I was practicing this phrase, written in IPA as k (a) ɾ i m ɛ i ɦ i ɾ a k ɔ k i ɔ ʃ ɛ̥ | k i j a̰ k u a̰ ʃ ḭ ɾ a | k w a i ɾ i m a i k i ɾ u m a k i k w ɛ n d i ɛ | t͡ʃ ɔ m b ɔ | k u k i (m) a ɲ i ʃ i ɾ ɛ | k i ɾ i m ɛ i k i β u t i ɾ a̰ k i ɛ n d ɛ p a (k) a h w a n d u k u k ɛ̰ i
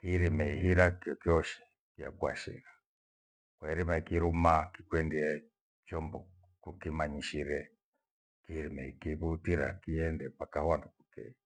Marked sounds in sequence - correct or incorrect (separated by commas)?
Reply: incorrect, correct, correct